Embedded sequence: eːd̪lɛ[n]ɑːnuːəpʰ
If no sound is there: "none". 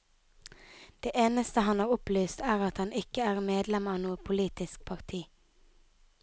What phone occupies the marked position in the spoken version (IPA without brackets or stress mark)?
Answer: m